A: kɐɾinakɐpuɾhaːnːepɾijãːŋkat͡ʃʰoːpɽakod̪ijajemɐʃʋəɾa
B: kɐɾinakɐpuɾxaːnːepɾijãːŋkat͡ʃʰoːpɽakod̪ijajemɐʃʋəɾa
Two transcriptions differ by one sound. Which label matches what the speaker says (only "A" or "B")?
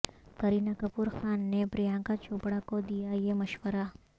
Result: B